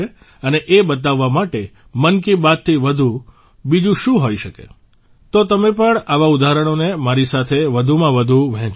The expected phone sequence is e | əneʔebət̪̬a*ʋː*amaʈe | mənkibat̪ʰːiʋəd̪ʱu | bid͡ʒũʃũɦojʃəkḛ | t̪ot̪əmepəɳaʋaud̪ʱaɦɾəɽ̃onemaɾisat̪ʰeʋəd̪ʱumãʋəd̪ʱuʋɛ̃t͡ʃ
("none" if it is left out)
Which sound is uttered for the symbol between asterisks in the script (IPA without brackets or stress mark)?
ʋː